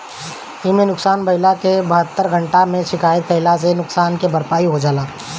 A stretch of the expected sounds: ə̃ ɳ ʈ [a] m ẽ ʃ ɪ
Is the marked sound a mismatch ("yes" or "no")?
no